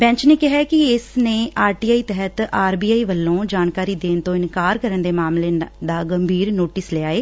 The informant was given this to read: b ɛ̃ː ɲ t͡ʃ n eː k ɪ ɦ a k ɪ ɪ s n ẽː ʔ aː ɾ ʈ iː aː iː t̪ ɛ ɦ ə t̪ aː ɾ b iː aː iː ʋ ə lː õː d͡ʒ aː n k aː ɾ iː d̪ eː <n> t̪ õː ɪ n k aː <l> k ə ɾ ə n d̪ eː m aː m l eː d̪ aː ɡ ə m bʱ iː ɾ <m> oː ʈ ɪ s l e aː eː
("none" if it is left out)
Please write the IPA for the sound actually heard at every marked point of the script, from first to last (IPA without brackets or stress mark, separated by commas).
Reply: n, ɾ, n